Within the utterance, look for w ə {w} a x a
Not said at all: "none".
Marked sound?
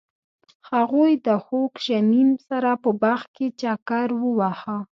w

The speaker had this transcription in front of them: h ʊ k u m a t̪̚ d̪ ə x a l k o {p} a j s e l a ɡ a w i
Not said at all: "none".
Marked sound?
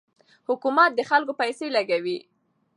p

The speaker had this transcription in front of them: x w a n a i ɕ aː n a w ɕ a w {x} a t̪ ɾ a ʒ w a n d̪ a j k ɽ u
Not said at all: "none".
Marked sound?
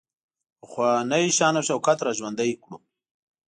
k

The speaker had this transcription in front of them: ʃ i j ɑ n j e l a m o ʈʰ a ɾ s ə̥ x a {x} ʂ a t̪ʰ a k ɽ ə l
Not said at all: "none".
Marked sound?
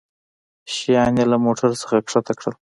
k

